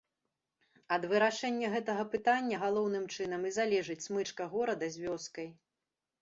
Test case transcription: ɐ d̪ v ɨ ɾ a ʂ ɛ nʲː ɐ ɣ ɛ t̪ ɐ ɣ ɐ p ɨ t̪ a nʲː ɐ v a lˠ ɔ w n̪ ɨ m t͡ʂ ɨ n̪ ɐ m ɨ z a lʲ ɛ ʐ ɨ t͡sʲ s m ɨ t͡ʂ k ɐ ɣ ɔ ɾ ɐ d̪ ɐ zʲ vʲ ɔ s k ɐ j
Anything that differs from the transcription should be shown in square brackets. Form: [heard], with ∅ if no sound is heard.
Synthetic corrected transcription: ɐ d̪ v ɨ ɾ a ʂ ɛ nʲː ɐ ɣ ɛ t̪ ɐ ɣ ɐ p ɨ t̪ a nʲː ɐ [ɣ] a lˠ ɔ w n̪ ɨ m t͡ʂ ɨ n̪ ɐ m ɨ z a lʲ ɛ ʐ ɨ t͡sʲ s m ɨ t͡ʂ k ɐ ɣ ɔ ɾ ɐ d̪ ɐ zʲ vʲ ɔ s k ɐ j